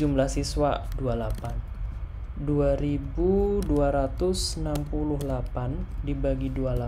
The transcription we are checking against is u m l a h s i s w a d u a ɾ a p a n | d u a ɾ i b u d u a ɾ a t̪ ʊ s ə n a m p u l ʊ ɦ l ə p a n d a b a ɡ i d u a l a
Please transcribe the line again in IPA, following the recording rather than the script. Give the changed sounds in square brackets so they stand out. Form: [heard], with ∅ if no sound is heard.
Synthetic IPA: u m l a h s i s w a d u a [l] a p a n | d u a ɾ i b u d u a ɾ a t̪ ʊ s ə n a m p u l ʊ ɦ l [a] p a n d [i] b a ɡ i d u a l a

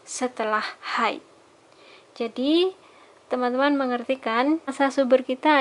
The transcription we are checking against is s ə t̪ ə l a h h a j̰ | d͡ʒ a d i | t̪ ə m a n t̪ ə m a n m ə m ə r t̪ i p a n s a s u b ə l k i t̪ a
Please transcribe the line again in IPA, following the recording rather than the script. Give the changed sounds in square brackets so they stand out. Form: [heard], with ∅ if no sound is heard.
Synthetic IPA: s ə t̪ ə l a h h a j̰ | d͡ʒ a d i | t̪ ə m a n t̪ ə m a n m ə [ŋ] ə r t̪ i [k] a n s a s u b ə [r] k i t̪ a

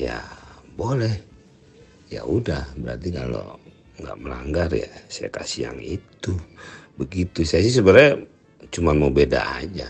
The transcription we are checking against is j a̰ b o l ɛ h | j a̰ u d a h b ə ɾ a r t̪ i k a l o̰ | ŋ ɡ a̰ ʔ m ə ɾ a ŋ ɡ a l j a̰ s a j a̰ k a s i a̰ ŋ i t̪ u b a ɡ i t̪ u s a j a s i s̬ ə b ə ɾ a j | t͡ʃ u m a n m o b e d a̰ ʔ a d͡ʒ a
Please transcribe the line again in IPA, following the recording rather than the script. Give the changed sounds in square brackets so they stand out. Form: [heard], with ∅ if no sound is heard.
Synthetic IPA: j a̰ b o l ɛ h | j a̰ u d a h b ə ɾ a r t̪ i k a l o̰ | ŋ ɡ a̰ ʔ m ə [l] a ŋ ɡ a [r] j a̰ s a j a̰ k a s i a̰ ŋ i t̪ u b [ə] ɡ i t̪ u s a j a s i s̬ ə b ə ɾ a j | t͡ʃ u m a n m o b e d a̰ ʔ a d͡ʒ a

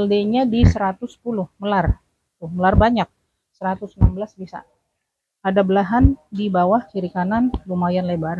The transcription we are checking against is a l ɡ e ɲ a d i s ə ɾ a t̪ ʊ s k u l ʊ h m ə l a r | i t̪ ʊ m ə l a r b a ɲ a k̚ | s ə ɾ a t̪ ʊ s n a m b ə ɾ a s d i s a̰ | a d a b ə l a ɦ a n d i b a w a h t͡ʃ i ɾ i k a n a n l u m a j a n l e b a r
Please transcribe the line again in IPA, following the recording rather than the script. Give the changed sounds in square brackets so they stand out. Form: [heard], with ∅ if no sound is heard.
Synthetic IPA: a l [d] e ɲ a d i s ə ɾ a t̪ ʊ s [p] u l ʊ h m ə l a r | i t̪ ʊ m ə l a r b a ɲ a k̚ | s ə ɾ a t̪ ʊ s n a m b ə [l] a s [b] i s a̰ | a d a b ə l a ɦ a n d i b a w a h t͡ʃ i ɾ i k a n a n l u m a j a n l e b a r

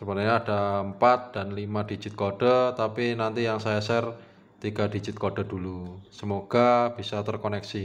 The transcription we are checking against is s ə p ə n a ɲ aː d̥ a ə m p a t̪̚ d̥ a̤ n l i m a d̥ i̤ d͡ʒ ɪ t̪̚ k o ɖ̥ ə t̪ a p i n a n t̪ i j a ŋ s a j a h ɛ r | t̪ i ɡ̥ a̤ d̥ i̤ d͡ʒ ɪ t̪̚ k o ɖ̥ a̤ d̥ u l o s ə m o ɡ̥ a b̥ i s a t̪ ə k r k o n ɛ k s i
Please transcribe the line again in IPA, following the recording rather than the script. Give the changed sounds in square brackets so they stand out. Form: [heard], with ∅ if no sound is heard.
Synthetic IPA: s ə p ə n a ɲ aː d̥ a ə m p a t̪̚ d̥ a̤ n l i m a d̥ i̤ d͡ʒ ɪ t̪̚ k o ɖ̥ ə t̪ a p i n a n t̪ i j a ŋ s a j a [s] ɛ r | t̪ i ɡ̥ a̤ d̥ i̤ d͡ʒ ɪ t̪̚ k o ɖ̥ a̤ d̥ u l [u] s ə m o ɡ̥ a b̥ i s a t̪ ə [∅] r k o n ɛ k s i

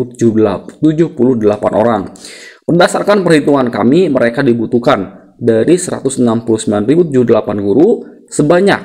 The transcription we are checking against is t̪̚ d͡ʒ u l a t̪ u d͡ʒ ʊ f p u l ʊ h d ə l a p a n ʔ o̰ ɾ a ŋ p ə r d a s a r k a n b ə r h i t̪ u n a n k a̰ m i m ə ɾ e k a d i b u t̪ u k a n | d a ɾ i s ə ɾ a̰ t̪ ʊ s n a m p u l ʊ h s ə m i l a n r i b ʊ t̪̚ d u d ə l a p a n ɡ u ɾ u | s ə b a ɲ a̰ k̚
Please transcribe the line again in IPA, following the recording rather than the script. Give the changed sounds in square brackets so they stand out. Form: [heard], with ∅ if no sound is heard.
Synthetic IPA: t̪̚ d͡ʒ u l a t̪ u d͡ʒ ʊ [h] p u l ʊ h d ə l a p a n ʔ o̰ ɾ a ŋ p ə r d a s a r k a n [p] ə r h i t̪ u [ŋ] a n k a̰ m i m ə ɾ e k a d i b u t̪ u k a n | d a ɾ i s ə ɾ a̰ t̪ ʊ s n a m p u l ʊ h s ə m i l a n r i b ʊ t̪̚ [d͡ʒ] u d ə l a p a n ɡ u ɾ u | s ə b a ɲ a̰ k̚

